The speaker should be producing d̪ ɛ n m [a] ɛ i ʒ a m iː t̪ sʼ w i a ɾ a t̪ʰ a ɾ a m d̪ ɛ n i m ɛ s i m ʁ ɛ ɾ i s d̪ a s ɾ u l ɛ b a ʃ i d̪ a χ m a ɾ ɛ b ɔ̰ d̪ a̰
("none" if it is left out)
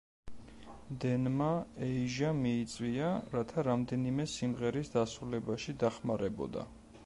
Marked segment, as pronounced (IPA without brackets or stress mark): a